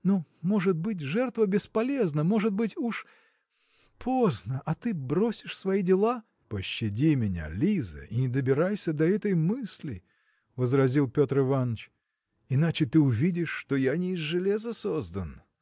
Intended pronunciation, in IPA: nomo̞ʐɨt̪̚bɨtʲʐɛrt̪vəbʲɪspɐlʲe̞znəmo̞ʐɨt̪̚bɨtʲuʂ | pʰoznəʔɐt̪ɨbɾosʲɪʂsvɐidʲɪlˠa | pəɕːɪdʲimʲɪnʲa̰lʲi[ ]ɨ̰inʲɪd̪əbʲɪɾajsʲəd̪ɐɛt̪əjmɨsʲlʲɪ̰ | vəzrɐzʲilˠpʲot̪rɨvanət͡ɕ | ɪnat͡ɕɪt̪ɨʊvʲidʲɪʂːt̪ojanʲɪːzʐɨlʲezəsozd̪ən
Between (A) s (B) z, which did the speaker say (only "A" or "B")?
B